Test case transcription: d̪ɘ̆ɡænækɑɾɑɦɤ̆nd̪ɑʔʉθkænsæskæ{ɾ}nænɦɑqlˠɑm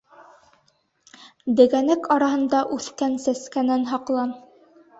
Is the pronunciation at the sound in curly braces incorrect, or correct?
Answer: incorrect